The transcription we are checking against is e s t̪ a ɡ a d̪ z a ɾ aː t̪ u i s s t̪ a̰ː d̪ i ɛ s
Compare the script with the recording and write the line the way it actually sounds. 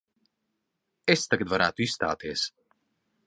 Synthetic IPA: e s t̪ a ɡ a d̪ v a ɾ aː t̪ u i s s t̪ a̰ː t̪ i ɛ s